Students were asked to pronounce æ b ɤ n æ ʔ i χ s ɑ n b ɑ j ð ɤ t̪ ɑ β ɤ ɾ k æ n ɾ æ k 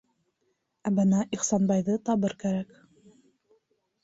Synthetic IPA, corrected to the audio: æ b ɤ n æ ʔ i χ s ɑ n b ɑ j ð ɤ t̪ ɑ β ɤ ɾ k æ ɾ æ k